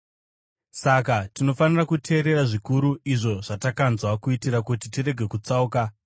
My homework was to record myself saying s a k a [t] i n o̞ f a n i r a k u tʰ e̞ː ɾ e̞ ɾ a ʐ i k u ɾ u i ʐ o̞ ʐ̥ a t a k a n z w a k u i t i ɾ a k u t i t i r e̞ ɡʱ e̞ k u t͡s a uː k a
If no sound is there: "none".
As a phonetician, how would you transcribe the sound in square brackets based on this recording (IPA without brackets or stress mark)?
t